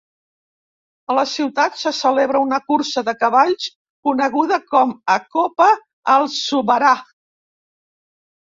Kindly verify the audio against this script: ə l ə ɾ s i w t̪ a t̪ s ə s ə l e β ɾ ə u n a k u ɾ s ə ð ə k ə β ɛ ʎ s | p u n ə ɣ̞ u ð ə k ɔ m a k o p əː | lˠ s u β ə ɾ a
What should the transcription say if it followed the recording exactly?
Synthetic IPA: ə l ə s i w t̪ a t̪ s ə s ə l e β ɾ ə u n ə k u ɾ s ə ð ə k ə β a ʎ s | k u n ə ɣ̞ u ð ə k ɔ m ə k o p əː | lˠ s u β ə ɾ a